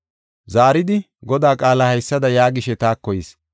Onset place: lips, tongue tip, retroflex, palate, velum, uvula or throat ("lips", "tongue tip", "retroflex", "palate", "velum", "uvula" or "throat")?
tongue tip